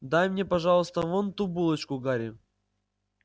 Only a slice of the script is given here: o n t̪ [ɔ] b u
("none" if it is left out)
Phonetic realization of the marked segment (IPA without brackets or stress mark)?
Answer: u